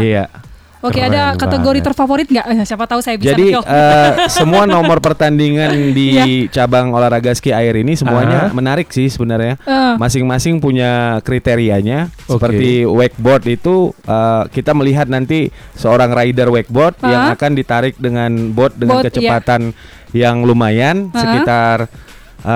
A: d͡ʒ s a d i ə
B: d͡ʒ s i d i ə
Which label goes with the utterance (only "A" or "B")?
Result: A